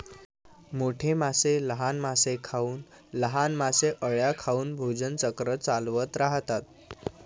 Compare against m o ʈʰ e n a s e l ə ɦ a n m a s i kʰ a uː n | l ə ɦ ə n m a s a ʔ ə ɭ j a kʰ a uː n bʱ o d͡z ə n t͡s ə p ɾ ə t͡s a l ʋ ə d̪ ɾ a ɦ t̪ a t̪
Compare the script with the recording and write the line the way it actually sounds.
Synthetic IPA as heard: m o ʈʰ e m a s e l ə ɦ a n m a s e kʰ a uː n | l ə ɦ a n m a s e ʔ ə ɭ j a kʰ a uː n bʱ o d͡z ə n t͡s ə k ɾ ə t͡s a l ʋ ə t̪ ɾ a ɦ t̪ a t̪